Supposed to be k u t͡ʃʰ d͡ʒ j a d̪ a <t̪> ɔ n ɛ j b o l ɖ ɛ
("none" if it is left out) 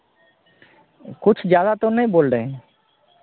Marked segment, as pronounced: t̪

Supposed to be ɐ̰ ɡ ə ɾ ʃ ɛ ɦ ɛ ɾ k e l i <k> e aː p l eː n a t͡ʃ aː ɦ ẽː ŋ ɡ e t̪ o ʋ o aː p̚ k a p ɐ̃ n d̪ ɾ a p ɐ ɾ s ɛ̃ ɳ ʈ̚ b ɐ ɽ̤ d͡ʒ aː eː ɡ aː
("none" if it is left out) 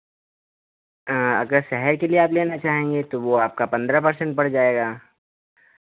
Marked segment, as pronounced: none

